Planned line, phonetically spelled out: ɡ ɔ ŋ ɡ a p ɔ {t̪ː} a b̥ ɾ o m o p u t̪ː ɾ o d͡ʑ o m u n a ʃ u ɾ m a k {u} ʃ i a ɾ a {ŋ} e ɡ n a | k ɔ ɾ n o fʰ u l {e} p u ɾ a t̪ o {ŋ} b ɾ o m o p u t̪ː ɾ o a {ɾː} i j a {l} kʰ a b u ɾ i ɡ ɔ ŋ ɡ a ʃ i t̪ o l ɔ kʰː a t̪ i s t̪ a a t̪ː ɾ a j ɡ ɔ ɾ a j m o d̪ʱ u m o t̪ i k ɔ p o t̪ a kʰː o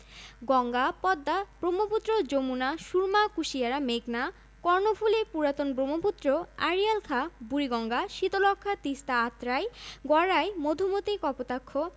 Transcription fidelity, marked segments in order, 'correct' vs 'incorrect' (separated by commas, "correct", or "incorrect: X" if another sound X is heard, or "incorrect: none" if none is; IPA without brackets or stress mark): incorrect: d̪ː, correct, incorrect: m, correct, incorrect: n, incorrect: ɾ, correct